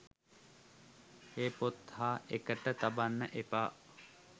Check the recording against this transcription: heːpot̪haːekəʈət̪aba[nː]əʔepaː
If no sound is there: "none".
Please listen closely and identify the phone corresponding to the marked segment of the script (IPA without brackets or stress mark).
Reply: nː